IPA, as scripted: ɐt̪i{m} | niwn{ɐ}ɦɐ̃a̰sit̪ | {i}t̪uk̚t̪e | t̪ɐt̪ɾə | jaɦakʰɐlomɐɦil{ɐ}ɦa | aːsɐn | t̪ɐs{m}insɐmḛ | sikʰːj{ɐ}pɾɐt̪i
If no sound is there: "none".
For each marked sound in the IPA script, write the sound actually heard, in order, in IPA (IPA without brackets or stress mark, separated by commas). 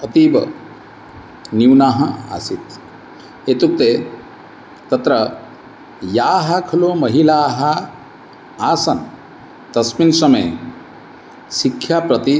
b, a, e, a, m, a